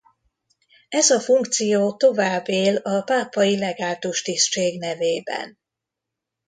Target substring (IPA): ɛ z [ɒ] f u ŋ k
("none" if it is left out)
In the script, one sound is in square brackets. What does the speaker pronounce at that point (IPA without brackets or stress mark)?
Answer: ɒ